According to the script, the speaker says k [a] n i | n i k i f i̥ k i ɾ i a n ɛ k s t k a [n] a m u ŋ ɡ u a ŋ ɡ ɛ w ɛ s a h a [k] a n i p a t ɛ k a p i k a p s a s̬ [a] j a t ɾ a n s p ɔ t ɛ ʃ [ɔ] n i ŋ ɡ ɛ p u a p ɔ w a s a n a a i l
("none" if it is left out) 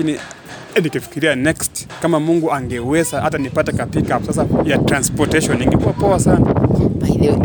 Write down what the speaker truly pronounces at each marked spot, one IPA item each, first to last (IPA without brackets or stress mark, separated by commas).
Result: i, m, t, a, ɔ